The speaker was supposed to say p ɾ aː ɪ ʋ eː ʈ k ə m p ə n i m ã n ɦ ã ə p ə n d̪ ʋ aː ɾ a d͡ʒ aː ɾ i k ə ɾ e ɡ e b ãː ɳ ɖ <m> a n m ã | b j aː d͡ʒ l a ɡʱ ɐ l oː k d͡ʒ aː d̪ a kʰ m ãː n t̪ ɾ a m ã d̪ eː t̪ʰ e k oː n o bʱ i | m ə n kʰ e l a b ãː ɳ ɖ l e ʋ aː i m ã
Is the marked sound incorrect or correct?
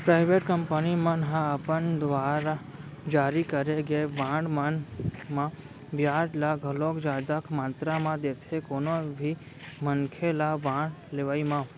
correct